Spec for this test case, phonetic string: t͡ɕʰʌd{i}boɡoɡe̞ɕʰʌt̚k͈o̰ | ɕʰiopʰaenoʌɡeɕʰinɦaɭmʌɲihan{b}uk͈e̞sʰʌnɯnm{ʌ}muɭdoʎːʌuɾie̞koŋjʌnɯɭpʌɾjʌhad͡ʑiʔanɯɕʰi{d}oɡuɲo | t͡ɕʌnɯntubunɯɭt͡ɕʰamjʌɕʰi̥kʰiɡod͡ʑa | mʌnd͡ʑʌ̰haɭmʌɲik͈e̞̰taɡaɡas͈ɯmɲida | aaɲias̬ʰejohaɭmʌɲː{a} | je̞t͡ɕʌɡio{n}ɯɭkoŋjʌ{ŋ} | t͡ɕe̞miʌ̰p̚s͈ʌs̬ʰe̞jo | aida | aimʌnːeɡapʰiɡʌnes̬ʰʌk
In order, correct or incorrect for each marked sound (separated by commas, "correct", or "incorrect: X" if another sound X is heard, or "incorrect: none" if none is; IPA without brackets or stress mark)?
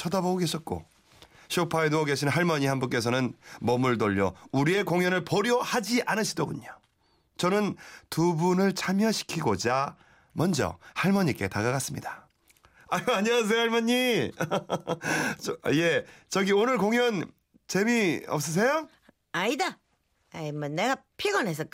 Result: incorrect: a, correct, correct, correct, incorrect: i, correct, incorrect: n